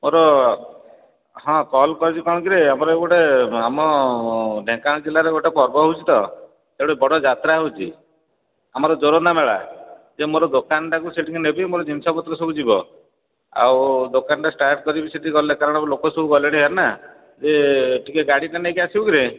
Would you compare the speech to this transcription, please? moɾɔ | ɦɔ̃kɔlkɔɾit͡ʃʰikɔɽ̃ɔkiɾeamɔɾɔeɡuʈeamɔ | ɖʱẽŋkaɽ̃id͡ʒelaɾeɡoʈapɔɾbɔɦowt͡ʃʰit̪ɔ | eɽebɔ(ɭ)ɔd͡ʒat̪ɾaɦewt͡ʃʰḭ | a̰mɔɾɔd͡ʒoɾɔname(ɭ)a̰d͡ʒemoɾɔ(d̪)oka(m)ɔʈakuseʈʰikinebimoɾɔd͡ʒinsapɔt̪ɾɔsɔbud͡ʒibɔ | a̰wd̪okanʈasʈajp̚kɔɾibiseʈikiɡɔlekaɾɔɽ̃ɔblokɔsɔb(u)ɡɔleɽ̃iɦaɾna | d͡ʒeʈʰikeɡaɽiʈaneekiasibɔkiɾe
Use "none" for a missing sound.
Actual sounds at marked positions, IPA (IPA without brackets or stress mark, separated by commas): ɽ, ɭ, d̪, n, u